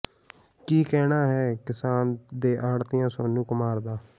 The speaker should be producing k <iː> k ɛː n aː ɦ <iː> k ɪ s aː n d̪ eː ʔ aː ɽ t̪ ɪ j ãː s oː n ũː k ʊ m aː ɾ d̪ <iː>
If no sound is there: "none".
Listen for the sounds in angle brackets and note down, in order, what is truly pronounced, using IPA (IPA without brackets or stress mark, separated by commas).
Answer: iː, ɛː, aː